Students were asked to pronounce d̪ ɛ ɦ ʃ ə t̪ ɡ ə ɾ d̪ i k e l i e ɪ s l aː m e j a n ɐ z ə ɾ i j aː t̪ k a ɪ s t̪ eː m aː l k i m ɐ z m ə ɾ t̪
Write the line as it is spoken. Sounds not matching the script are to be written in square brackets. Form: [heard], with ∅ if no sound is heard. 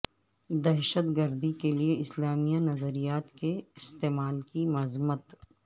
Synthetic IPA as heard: d̪ ɛ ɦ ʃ ə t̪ ɡ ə ɾ d̪ i k e l i e ɪ s l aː m [i] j a n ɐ z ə ɾ i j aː t̪ k [e] ɪ s t̪ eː m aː l k i m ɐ z m ə [∅] t̪